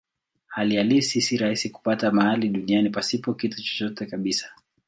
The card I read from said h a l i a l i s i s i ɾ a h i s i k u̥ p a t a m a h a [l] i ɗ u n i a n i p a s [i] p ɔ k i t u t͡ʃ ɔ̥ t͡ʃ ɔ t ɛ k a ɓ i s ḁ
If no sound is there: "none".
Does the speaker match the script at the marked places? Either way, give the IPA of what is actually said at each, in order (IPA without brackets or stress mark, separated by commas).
l, i